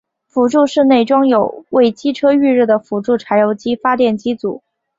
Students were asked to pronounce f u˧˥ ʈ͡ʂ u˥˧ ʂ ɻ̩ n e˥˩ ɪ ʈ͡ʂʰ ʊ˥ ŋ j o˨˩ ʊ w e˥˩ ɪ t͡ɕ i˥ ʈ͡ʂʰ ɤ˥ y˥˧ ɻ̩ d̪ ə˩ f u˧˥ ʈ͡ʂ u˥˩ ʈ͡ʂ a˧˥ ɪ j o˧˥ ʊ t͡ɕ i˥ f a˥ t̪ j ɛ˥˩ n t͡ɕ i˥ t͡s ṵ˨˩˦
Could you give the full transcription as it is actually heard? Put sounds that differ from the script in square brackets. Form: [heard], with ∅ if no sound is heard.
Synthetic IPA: f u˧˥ ʈ͡ʂ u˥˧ ʂ ɻ̩ n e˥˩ ɪ [ʈ͡ʂ] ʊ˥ ŋ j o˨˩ ʊ w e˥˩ ɪ t͡ɕ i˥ ʈ͡ʂʰ ɤ˥ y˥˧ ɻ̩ d̪ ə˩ f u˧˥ ʈ͡ʂ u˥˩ [ʈ͡ʂʰ] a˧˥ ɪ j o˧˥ ʊ t͡ɕ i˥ f a˥ t̪ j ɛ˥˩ n t͡ɕ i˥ t͡s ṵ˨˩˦